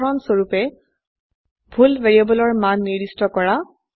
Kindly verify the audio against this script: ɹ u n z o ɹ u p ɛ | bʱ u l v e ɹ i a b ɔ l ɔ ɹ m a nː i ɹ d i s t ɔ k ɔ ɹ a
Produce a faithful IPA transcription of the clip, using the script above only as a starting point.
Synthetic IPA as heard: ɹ ɔ n s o ɹ u p ɛ | bʱ u l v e ɹ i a b ɔ l ɔ ɹ m a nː i ɹ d i s t ɔ k ɔ ɹ a

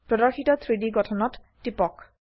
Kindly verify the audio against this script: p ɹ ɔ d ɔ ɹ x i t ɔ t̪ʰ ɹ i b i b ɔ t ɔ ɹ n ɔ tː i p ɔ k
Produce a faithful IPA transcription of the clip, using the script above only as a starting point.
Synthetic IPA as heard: p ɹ ɔ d ɔ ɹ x i t ɔ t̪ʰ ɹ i d i ɡ ɔ tʰ ɔ n ɔ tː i p ɔ k

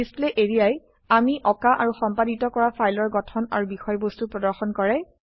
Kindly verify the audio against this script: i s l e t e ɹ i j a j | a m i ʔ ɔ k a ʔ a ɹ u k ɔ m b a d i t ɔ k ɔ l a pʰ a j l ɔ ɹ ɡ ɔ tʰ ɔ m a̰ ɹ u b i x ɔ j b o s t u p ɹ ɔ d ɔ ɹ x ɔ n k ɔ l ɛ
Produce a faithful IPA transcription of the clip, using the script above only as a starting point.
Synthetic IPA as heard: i s l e ʔ e ɹ i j a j | a m i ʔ ɔ k a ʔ a ɹ u x ɔ m p a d i t ɔ k ɔ ɹ a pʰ a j l ɔ ɹ ɡ ɔ tʰ ɔ n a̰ ɹ u b i x ɔ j b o s t u p ɹ ɔ d ɔ ɹ x ɔ n k ɔ ɹ ɛ

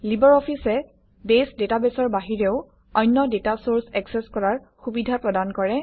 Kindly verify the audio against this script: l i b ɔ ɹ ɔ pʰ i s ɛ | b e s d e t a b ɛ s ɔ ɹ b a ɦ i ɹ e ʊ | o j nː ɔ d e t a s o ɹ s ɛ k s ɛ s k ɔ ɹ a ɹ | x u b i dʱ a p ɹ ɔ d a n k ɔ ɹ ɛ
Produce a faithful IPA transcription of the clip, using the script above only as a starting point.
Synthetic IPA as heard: l i b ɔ ɹ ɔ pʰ i s ɛ | b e s d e t a b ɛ s ɔ ɹ b a ɦ i ɹ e ʊ | ɔ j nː ɔ d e t a s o ɹ s ɛ k s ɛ s k ɔ ɹ a ɹ | x u b i dʱ a p ɹ ɔ d a n k ɔ ɹ ɛ

